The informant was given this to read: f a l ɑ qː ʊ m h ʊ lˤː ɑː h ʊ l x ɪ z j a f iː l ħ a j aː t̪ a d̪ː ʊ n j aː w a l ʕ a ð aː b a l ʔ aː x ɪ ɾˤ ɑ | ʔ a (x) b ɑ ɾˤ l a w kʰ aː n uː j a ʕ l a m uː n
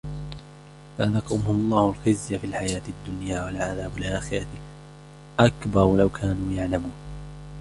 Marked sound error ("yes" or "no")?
yes